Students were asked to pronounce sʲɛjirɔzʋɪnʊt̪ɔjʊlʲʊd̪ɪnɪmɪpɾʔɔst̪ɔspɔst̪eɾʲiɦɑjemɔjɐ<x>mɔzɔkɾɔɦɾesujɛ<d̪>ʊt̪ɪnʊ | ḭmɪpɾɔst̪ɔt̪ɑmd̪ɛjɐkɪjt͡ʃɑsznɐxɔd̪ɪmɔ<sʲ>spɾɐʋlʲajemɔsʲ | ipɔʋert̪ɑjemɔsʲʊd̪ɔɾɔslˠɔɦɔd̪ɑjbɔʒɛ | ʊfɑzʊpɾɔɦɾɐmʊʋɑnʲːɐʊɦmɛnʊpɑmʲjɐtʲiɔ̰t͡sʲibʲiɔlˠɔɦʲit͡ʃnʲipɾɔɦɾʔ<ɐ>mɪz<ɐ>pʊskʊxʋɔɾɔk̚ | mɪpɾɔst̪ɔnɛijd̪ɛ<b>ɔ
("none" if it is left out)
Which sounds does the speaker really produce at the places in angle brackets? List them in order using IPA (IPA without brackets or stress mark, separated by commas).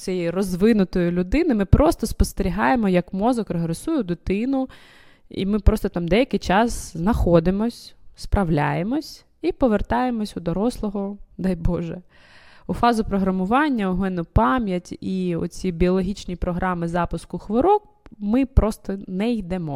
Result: k, d̪, sʲ, ɑ, ɑ, m